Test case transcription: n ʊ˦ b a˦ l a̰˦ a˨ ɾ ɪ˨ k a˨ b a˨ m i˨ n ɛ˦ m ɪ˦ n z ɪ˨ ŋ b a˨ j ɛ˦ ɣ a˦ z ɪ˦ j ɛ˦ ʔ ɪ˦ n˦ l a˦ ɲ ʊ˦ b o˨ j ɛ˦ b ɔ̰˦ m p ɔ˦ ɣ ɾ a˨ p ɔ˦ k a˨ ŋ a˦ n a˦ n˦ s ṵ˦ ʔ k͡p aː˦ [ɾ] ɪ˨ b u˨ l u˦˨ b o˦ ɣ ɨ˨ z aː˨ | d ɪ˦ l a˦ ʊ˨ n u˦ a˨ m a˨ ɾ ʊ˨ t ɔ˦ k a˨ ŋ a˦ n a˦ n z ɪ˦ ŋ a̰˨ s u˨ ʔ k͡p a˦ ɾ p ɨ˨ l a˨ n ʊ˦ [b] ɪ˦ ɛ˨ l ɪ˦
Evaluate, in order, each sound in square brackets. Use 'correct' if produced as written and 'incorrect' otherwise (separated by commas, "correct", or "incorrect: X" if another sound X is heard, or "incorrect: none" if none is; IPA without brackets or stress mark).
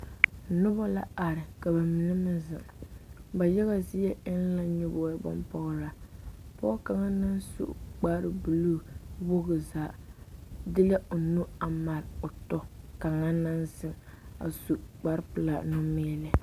correct, incorrect: m